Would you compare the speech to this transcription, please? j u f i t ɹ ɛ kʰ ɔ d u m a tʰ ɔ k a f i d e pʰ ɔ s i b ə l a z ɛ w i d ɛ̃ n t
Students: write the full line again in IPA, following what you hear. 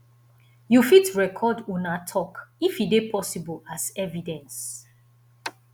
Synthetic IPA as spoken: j u f i t ɹ ɛ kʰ ɔ d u n a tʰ ɔ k i f i d e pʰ ɔ s i b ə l a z ɛ v i d ɛ̃ n s